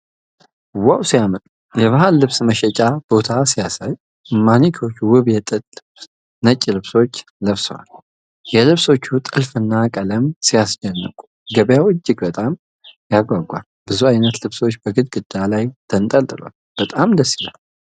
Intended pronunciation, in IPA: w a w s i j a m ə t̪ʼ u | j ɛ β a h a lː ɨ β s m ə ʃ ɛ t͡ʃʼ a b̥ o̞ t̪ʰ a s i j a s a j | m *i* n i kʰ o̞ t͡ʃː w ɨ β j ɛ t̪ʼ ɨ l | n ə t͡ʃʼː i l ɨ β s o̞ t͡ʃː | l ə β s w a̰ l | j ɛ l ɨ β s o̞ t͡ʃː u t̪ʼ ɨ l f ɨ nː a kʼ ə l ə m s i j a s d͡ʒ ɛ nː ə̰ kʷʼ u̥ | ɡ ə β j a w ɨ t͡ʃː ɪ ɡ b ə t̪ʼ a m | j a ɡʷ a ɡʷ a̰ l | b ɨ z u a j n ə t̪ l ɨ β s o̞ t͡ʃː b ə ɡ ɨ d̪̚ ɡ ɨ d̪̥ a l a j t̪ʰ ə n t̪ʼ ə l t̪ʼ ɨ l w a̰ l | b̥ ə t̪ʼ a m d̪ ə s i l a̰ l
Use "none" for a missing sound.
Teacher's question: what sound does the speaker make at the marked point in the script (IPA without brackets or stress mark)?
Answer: a